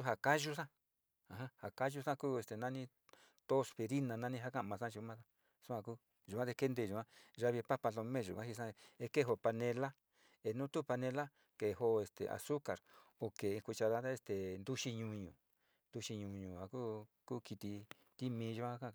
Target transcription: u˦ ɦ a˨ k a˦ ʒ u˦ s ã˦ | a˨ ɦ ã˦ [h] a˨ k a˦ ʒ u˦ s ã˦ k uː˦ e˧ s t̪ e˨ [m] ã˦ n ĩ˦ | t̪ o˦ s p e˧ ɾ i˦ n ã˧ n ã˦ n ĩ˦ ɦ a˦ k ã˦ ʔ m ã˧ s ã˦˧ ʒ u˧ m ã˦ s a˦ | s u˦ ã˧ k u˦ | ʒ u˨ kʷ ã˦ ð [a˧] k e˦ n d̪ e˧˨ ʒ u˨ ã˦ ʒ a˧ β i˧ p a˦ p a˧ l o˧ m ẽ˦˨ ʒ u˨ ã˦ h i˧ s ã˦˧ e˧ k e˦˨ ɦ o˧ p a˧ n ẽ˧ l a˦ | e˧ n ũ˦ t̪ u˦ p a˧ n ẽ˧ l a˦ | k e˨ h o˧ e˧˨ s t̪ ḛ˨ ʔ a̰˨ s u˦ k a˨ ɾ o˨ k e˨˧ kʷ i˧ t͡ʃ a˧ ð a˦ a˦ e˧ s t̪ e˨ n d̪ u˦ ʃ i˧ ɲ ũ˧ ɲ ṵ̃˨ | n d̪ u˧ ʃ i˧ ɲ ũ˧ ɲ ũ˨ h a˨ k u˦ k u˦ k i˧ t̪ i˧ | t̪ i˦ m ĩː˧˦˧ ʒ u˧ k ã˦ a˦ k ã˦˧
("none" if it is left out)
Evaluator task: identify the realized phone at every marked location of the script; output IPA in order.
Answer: h, n, e˧

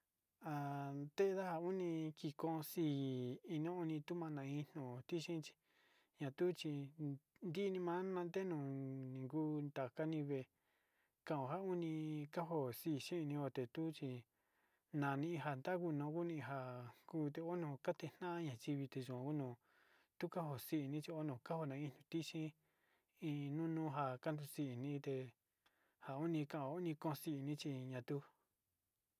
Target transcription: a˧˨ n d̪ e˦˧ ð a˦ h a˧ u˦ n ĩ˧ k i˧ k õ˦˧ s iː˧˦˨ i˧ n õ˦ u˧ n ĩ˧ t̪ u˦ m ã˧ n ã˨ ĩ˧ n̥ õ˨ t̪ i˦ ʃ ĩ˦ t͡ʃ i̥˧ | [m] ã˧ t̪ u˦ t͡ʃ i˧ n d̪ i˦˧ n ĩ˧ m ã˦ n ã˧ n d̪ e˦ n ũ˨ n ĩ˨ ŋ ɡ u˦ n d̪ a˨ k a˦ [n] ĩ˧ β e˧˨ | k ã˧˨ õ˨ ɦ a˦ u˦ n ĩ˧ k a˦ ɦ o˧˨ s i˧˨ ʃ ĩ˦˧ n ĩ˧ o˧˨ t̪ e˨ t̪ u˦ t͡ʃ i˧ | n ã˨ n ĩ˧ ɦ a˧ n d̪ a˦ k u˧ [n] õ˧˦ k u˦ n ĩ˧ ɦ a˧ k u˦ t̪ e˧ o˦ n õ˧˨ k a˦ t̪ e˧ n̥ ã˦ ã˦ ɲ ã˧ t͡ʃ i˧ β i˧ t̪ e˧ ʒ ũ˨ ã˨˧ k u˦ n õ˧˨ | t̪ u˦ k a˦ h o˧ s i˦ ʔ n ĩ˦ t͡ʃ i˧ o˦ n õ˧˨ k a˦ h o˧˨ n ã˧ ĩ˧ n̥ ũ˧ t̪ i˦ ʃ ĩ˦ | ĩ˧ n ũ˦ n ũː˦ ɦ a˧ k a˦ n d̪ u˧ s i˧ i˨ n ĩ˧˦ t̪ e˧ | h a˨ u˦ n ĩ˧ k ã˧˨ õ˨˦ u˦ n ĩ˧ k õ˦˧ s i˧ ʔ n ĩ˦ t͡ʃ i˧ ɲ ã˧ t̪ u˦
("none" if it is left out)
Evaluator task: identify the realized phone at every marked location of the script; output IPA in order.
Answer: ɲ, n, n

